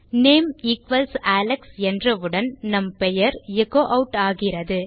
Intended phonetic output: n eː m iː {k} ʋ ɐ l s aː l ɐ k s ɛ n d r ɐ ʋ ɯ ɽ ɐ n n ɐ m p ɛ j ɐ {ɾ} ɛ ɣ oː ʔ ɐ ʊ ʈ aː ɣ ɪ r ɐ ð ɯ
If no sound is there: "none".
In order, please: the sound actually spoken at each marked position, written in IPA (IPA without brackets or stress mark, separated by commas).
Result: k, ɾ